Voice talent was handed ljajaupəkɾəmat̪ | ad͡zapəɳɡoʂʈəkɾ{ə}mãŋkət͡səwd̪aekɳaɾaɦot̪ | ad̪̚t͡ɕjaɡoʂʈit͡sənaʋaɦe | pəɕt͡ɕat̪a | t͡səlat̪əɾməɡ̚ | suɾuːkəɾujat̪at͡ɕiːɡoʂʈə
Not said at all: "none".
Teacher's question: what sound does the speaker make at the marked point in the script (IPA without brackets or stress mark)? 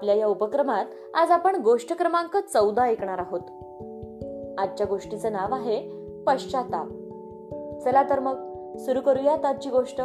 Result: ə